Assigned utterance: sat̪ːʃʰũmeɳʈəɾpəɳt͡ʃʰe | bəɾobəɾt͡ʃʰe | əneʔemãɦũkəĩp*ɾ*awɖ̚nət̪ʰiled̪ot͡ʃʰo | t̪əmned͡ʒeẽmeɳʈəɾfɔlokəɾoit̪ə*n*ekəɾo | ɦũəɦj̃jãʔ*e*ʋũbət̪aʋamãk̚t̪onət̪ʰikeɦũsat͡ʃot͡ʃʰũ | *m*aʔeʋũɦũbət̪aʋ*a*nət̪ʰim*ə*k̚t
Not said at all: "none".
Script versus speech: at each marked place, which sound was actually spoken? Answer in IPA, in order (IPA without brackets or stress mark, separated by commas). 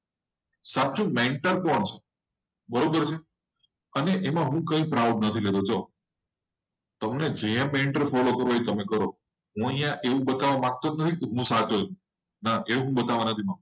ɾ, m, e, n, a, a